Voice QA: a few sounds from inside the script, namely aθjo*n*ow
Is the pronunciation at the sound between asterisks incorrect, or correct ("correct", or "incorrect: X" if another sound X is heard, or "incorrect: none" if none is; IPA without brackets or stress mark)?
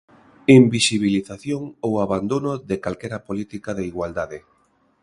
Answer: incorrect: ŋ